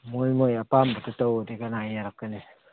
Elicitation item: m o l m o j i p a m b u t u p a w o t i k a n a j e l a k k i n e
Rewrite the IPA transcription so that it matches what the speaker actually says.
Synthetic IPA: m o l m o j a p a m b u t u t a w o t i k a n a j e ɾ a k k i n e